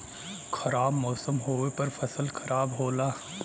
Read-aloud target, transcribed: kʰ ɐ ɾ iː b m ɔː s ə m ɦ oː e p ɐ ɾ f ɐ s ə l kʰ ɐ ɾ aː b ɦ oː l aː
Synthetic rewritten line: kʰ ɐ ɾ aː b m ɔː s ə m ɦ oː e p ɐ ɾ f ɐ s ə l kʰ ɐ ɾ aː b ɦ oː l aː